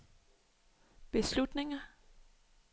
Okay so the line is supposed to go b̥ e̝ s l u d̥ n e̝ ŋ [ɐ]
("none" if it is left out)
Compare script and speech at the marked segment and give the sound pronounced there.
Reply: ɐ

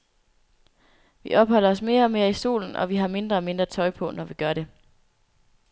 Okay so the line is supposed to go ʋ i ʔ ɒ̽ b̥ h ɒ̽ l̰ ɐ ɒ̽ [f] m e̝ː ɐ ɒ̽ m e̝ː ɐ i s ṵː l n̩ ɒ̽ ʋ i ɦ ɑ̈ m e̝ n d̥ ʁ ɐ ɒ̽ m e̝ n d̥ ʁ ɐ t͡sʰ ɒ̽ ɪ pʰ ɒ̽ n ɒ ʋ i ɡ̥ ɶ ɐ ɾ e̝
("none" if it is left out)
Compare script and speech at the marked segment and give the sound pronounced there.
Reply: s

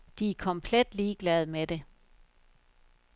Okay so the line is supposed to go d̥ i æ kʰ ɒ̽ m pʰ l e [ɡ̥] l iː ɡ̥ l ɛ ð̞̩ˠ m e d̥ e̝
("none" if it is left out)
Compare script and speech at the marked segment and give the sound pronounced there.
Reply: d̥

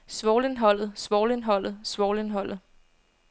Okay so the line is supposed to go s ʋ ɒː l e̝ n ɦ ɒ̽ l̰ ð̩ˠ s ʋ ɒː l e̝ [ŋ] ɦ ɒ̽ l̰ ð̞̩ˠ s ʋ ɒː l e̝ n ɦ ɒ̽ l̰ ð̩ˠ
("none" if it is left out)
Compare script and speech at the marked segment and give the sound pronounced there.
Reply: n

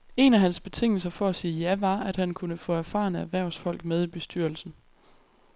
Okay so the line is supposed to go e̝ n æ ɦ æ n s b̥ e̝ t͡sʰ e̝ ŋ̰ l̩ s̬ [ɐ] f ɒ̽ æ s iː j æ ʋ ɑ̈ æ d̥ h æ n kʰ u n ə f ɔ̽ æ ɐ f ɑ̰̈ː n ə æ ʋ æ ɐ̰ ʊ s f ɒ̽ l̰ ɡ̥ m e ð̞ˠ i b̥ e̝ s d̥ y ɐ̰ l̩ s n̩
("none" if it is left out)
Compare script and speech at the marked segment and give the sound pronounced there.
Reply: ɐ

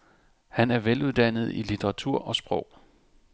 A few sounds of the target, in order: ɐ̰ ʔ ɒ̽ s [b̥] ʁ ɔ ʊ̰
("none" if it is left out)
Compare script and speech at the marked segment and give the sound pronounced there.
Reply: b̥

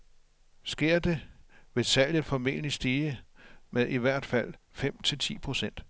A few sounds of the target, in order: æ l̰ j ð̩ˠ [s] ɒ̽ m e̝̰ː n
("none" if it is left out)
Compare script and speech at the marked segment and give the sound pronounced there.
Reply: f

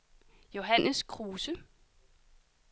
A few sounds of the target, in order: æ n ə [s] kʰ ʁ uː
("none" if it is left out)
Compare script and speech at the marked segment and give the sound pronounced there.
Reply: s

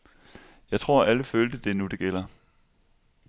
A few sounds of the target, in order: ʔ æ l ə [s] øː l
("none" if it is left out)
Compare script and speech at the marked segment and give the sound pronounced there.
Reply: f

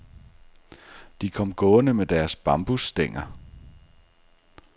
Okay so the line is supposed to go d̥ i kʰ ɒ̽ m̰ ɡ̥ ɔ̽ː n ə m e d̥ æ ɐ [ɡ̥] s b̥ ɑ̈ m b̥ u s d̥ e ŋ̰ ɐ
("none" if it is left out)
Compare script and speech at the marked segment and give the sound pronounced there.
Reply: none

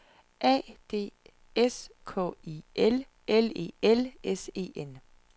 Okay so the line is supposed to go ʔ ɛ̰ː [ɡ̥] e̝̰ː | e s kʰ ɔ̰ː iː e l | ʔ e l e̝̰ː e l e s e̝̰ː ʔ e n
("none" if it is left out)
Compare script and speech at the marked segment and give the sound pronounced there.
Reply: d̥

